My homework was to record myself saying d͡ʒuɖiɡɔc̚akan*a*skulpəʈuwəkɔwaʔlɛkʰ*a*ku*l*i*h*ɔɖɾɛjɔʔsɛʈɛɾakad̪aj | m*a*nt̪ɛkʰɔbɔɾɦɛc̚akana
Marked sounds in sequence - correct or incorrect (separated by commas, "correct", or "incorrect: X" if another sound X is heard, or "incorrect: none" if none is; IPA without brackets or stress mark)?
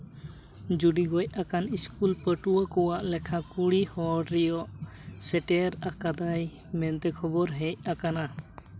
incorrect: i, correct, incorrect: ɽ, correct, incorrect: ɛ